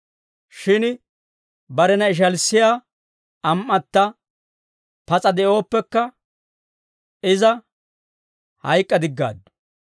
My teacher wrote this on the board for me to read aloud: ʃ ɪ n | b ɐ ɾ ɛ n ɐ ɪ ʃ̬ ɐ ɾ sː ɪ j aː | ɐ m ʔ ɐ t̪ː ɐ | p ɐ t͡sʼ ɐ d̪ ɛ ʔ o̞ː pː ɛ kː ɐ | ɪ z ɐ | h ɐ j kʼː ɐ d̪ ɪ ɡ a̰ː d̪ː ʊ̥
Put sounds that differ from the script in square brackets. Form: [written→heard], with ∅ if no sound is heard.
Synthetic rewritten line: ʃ ɪ n | b ɐ ɾ ɛ n ɐ ɪ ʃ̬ ɐ [ɾ→l] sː ɪ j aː | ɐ m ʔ ɐ t̪ː ɐ | p ɐ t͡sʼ ɐ d̪ ɛ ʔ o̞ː pː ɛ kː ɐ | ɪ z ɐ | h ɐ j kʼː ɐ d̪ ɪ [ɡ→ɡː] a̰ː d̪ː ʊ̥

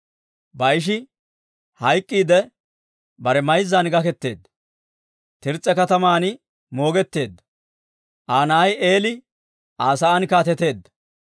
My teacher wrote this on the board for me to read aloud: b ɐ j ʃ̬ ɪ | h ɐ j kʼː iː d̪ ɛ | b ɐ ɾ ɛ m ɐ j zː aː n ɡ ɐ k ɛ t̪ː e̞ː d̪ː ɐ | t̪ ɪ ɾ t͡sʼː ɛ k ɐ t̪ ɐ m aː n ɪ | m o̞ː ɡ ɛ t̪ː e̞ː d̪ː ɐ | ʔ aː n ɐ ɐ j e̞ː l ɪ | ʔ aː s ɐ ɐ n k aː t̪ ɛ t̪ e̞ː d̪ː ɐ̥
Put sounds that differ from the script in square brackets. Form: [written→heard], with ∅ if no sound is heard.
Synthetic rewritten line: b ɐ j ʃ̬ ɪ | h ɐ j kʼː iː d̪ ɛ | b ɐ ɾ ɛ m ɐ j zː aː n ɡ ɐ k ɛ t̪ː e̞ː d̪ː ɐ | t̪ ɪ ɾ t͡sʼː ɛ k ɐ t̪ ɐ m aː n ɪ | m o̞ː ɡ ɛ t̪ː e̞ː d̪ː ɐ | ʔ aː n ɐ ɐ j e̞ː l ɪ | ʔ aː s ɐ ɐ n k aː t̪ ɛ t̪ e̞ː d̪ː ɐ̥

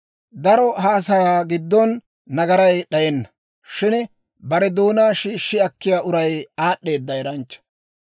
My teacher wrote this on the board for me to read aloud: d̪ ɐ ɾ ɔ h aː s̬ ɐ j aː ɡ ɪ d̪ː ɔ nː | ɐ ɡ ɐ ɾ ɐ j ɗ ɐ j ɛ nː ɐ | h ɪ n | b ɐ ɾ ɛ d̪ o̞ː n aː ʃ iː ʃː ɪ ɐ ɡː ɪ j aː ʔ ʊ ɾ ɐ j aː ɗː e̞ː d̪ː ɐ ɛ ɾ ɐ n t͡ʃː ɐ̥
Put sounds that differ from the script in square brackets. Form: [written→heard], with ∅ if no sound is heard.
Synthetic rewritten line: d̪ ɐ ɾ ɔ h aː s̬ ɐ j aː ɡ ɪ d̪ː ɔ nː | ɐ ɡ ɐ ɾ ɐ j ɗ ɐ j ɛ nː ɐ | [h→ʃ] ɪ n | b ɐ ɾ ɛ d̪ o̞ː n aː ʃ iː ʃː ɪ ɐ [ɡː→kː] ɪ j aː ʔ ʊ ɾ ɐ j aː ɗː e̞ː d̪ː ɐ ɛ ɾ ɐ n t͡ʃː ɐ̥

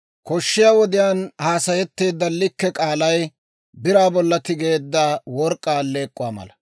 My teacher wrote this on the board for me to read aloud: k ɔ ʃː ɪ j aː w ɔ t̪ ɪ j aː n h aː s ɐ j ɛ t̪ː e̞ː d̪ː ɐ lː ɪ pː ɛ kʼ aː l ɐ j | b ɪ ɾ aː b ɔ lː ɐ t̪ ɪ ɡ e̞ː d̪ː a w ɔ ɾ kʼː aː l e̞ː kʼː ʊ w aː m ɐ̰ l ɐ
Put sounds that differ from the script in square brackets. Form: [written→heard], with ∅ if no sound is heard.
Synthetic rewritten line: k ɔ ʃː ɪ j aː w ɔ [t̪→d̪] ɪ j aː n h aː s ɐ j ɛ t̪ː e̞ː d̪ː ɐ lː ɪ [pː→kː] ɛ kʼ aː l ɐ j | b ɪ ɾ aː b ɔ lː ɐ t̪ ɪ ɡ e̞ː d̪ː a w ɔ ɾ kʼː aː l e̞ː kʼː ʊ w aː m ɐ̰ l ɐ

